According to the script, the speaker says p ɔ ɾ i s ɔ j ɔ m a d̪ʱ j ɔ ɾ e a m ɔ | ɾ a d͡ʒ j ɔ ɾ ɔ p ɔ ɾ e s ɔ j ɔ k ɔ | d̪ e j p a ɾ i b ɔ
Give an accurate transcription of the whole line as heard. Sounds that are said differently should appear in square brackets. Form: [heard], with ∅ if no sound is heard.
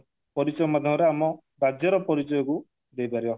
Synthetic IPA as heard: p ɔ ɾ i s ɔ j ɔ m a d̪ʱ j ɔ ɾ e a m ɔ | ɾ a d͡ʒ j ɔ ɾ ɔ p ɔ ɾ [i] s ɔ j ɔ k [u] | d̪ e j p a ɾ i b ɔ